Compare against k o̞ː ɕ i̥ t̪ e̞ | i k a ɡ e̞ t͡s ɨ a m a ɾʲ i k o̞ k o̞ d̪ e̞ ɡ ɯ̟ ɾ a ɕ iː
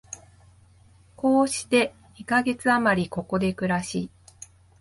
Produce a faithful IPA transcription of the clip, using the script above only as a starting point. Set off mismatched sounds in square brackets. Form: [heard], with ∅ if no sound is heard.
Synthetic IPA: k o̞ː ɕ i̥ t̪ e̞ | i k a ɡ e̞ t͡s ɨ a m a ɾʲ i k o̞ k o̞ d̪ e̞ [k] ɯ̟ ɾ a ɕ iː